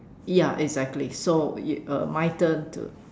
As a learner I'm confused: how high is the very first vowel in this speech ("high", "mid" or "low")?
low